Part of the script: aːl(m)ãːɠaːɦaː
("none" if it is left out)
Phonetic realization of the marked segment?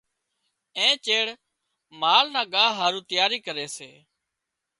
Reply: n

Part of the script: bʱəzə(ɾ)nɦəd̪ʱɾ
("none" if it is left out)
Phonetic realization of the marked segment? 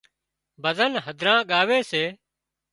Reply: none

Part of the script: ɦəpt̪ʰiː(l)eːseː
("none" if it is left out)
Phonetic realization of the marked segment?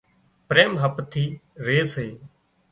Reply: ɾ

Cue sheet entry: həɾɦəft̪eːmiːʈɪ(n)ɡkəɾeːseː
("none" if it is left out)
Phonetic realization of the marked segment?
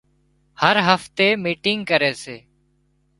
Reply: ŋ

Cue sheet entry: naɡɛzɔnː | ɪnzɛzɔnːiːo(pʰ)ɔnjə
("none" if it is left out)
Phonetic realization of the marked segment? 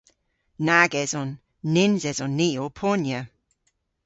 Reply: pʰ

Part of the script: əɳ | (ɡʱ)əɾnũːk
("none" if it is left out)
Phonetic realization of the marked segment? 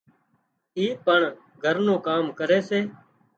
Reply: ɡʱ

